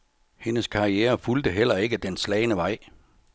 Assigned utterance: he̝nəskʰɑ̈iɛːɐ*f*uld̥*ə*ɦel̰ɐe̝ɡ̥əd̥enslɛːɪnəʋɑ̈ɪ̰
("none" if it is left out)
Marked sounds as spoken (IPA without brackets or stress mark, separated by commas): f, ə